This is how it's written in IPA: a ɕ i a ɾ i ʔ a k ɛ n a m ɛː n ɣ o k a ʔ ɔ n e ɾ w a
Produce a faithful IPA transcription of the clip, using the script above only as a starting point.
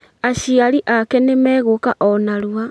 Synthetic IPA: a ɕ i a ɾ i ʔ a k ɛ n e m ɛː ɣ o k a ʔ ɔ n a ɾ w a